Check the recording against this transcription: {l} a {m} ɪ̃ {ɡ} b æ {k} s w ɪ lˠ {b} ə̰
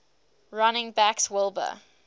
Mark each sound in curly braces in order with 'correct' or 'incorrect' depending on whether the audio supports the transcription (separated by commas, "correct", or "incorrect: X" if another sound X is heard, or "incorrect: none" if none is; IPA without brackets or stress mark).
incorrect: ɹ, incorrect: n, incorrect: ŋ, correct, correct